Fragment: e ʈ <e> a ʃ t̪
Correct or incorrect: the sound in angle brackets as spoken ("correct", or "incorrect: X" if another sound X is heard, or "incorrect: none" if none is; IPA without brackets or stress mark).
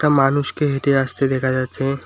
correct